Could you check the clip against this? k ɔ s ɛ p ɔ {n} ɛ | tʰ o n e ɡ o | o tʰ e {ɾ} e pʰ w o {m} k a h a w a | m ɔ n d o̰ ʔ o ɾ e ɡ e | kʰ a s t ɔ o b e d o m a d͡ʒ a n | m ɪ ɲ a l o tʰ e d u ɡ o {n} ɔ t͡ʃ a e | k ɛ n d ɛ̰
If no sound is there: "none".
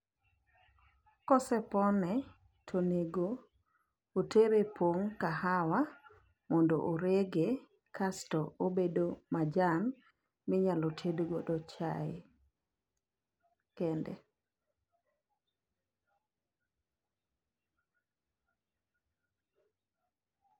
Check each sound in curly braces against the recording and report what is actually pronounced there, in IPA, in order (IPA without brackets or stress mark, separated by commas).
n, ɾ, ŋ, d